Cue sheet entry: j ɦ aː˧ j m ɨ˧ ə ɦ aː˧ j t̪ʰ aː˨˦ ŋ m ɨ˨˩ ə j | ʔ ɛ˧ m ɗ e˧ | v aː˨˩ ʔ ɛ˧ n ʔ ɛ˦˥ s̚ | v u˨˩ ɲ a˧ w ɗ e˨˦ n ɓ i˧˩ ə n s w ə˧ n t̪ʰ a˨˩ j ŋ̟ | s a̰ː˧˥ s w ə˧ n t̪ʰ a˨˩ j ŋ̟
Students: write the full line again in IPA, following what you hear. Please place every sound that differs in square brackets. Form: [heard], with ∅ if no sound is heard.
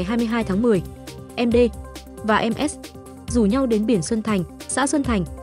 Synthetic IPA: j ɦ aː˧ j m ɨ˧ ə ɦ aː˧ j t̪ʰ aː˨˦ ŋ m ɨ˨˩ ə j | ʔ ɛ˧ m ɗ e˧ | v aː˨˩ ʔ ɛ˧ [m] ʔ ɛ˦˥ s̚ | [z] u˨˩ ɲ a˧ w ɗ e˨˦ n ɓ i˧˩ ə n s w ə˧ n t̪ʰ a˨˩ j ŋ̟ | s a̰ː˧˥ s w ə˧ n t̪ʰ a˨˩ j ŋ̟

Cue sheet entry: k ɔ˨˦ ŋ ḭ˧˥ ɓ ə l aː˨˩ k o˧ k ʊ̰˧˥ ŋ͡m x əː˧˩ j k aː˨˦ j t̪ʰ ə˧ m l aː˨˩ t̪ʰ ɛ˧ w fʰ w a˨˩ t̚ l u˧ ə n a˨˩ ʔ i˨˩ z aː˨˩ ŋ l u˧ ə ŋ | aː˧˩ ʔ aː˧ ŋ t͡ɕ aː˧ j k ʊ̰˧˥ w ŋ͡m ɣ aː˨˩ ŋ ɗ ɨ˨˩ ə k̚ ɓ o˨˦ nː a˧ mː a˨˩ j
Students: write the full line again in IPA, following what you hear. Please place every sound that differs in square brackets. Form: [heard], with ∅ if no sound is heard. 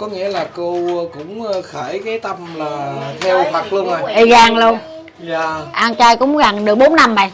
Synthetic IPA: k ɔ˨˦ ŋ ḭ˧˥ [∅] ə l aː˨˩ k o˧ k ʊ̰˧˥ ŋ͡m x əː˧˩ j k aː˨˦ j [t̪] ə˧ m l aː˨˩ t̪ʰ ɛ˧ w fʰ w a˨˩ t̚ l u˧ ə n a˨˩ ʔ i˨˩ [ɣ] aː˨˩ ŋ l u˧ ə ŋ | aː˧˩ ʔ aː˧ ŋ t͡ɕ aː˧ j k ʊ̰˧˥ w ŋ͡m ɣ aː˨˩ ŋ ɗ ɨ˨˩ ə k̚ ɓ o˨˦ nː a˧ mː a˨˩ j

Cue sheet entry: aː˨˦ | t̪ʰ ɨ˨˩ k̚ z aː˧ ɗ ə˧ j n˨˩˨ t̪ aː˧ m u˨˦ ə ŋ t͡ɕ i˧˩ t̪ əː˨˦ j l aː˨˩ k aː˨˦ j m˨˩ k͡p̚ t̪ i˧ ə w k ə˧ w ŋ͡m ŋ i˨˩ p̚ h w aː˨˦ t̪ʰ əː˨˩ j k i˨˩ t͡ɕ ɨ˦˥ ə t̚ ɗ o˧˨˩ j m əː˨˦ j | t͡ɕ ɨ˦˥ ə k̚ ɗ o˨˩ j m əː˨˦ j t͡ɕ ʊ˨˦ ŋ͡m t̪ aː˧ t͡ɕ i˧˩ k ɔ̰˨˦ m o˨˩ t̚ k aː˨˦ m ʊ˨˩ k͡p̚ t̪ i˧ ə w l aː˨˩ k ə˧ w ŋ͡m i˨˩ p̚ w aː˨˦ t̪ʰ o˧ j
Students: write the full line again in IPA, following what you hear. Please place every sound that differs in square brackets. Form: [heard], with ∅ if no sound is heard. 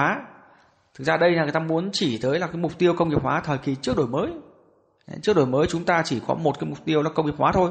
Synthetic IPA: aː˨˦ | t̪ʰ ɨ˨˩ k̚ z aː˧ ɗ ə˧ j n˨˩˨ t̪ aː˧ m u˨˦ ə [n] t͡ɕ i˧˩ t̪ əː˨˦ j l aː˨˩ k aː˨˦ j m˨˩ k͡p̚ t̪ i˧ ə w k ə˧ w ŋ͡m ŋ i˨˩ p̚ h w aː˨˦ t̪ʰ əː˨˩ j k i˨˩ t͡ɕ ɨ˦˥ ə [k̚] ɗ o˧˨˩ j m əː˨˦ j | t͡ɕ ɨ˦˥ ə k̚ ɗ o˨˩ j m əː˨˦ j t͡ɕ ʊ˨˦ ŋ͡m t̪ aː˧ t͡ɕ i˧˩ k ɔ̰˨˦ m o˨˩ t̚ k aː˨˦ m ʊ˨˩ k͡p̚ t̪ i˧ ə w l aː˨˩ k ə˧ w ŋ͡m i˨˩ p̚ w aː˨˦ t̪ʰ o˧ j

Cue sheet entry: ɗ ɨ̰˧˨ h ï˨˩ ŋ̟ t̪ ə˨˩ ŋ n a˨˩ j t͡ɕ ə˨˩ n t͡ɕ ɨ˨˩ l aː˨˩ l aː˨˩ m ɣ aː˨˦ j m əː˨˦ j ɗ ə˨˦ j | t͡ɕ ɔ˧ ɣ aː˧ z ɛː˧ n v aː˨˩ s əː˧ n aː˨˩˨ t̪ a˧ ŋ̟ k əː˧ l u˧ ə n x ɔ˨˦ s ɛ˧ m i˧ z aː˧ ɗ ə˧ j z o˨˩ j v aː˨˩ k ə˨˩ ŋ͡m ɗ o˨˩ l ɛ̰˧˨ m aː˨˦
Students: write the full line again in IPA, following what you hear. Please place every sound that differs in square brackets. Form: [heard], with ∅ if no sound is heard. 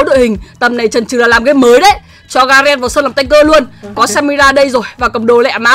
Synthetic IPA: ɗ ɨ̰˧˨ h ï˨˩ ŋ̟ t̪ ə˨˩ [m] n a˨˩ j t͡ɕ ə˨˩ n t͡ɕ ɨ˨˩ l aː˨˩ l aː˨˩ m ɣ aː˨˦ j m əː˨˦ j ɗ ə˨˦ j | t͡ɕ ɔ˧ ɣ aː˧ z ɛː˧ n v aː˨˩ s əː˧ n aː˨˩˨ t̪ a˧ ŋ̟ k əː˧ l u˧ ə n [k] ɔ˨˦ s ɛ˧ m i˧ z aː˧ ɗ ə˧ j z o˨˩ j v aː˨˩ k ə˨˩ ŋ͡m ɗ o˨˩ l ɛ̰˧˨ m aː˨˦

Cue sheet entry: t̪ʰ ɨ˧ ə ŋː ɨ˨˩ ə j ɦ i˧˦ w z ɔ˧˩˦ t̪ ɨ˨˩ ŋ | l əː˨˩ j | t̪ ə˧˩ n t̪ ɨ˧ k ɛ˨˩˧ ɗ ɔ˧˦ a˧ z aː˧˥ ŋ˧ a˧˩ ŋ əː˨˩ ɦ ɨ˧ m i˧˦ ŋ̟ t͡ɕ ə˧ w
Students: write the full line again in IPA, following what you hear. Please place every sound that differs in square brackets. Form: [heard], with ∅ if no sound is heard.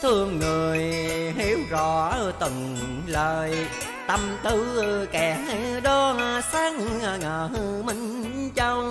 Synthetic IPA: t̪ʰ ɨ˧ ə ŋː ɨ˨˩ ə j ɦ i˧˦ w z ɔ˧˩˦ t̪ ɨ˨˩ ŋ | l əː˨˩ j | t̪ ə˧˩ [m] t̪ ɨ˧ k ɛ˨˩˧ ɗ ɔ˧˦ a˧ [s] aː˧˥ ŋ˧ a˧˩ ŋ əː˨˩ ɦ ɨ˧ m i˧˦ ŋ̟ t͡ɕ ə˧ w

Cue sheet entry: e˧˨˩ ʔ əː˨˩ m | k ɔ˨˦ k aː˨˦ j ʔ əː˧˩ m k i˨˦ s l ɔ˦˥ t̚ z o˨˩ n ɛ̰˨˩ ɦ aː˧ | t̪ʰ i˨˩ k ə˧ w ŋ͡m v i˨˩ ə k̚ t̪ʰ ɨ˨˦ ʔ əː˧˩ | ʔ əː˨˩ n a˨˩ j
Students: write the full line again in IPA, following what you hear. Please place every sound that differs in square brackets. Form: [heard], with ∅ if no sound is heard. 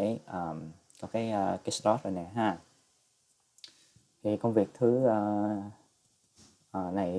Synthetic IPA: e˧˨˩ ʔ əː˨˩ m | k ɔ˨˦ k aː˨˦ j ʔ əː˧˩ [∅] k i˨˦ s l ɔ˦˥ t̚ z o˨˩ n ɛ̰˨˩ ɦ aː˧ | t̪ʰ i˨˩ k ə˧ w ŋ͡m v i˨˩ ə k̚ t̪ʰ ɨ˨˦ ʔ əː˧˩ | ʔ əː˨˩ n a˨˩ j

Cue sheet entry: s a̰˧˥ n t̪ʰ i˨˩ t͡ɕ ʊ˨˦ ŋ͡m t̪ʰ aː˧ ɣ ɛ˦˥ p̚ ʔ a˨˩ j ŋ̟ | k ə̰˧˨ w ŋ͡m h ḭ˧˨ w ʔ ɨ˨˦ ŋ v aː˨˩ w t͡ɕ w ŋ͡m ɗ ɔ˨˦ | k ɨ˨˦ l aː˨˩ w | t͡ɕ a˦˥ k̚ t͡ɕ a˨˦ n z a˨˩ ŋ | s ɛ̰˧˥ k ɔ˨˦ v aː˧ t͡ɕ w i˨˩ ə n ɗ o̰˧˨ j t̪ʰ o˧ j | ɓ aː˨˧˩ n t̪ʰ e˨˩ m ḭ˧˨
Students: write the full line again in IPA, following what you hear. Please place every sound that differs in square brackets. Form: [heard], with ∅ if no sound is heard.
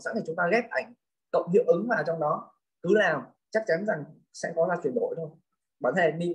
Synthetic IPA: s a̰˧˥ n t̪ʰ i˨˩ t͡ɕ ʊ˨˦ ŋ͡m [t̪] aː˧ ɣ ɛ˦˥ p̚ ʔ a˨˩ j ŋ̟ | k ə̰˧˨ w ŋ͡m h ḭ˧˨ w ʔ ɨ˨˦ ŋ v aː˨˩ w t͡ɕ w ŋ͡m ɗ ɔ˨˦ | k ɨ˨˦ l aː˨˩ w | t͡ɕ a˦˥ k̚ t͡ɕ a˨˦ n z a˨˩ ŋ | s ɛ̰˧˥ k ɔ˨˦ [z] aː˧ t͡ɕ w i˨˩ ə n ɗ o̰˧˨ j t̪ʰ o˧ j | ɓ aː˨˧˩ n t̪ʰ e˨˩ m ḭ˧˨

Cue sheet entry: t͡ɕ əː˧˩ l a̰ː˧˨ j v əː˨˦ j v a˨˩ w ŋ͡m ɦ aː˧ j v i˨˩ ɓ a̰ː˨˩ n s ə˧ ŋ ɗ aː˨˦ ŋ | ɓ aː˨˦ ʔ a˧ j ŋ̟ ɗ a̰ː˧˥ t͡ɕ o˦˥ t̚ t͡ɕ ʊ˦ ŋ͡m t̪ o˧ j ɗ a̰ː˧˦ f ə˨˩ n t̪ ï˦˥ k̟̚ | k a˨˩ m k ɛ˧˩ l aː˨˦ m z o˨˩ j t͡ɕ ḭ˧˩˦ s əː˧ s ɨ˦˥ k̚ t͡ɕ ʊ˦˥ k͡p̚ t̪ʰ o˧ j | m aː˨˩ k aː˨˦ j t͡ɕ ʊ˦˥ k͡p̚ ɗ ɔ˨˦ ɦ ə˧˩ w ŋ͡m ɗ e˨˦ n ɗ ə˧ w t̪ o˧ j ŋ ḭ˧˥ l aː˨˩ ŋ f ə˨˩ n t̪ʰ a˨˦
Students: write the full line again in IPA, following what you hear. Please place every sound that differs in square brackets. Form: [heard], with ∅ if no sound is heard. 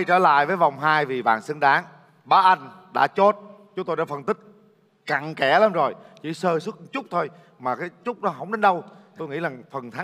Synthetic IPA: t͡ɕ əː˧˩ l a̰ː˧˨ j v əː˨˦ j v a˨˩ w ŋ͡m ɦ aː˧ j v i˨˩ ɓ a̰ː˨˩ n s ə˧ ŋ ɗ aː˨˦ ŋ | ɓ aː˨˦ ʔ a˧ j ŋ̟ ɗ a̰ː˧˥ t͡ɕ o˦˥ t̚ t͡ɕ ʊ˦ ŋ͡m t̪ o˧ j ɗ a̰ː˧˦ f ə˨˩ n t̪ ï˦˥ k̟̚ | k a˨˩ [ŋ] k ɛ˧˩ l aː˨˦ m z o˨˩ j t͡ɕ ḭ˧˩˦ s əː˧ s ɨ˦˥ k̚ t͡ɕ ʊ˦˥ k͡p̚ t̪ʰ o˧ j | m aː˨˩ k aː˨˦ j t͡ɕ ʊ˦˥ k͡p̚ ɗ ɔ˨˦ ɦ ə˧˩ w ŋ͡m ɗ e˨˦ n ɗ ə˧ w t̪ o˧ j ŋ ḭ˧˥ l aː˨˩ ŋ f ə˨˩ n t̪ʰ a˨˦

